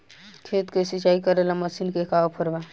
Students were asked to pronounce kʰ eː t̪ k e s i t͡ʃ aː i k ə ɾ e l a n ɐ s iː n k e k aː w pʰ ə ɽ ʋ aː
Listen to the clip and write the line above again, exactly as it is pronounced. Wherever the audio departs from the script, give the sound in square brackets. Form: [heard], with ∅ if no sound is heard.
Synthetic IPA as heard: kʰ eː t̪ k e s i t͡ʃ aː i k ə ɾ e l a [m] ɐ s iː n k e k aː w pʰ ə [ɾ] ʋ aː